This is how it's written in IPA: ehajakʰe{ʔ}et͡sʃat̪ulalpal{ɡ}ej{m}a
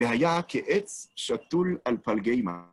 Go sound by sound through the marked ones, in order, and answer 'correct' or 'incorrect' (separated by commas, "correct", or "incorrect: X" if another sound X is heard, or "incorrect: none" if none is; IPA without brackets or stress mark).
correct, correct, correct